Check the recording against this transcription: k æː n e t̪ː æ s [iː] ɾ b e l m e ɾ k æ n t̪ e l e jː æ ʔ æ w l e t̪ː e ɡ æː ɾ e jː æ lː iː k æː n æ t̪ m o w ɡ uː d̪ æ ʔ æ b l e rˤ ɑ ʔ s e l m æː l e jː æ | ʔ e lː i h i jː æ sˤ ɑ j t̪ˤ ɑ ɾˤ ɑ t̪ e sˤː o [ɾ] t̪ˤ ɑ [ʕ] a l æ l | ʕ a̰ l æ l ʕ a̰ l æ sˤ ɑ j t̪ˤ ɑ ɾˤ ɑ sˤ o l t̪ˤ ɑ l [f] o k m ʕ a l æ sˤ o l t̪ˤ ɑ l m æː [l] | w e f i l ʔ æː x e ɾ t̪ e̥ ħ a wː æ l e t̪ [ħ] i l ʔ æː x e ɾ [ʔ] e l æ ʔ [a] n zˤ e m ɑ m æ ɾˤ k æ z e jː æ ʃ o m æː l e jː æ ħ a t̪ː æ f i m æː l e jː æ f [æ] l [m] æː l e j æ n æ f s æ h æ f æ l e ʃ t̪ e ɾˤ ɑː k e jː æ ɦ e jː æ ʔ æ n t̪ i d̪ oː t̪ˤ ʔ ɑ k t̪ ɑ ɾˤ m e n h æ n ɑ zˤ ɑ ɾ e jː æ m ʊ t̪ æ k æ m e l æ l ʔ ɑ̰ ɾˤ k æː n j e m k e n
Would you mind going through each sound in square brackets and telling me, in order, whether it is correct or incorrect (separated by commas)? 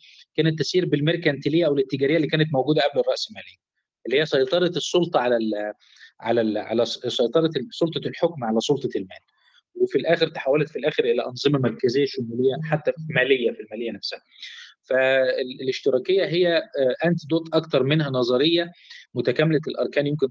correct, incorrect, correct, incorrect, correct, incorrect, correct, incorrect, incorrect, correct